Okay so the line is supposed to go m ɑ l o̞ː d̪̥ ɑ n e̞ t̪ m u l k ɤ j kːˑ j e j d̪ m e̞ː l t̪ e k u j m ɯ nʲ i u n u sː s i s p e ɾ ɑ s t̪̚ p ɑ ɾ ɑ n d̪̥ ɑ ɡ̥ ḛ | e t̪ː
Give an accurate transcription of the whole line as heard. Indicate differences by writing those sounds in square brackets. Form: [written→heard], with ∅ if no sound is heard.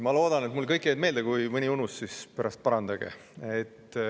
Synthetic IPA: m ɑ l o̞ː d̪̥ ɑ n e̞ t̪ m u l k ɤ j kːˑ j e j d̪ m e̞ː l [t̪→d̪] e k u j m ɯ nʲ i u n u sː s i s p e ɾ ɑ s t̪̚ p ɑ ɾ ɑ n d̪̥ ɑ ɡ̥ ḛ | e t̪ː